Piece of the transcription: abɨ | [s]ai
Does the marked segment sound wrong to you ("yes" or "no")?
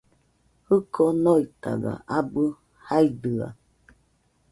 yes